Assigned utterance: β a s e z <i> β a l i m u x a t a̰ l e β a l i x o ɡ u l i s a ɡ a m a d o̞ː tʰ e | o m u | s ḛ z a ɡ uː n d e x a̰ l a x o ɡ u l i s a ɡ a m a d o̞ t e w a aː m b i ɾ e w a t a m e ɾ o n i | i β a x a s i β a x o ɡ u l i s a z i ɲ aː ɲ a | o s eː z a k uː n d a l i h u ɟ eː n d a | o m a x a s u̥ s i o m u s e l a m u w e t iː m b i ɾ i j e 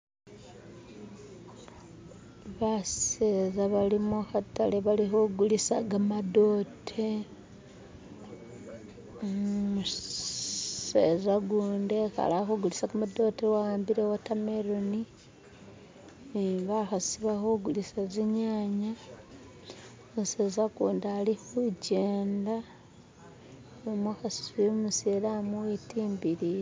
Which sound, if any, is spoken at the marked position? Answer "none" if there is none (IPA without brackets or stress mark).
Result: a